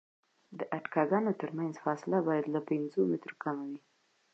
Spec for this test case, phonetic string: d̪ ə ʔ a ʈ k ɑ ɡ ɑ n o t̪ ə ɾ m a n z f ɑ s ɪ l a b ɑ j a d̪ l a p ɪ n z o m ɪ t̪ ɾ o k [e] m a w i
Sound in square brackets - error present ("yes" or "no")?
yes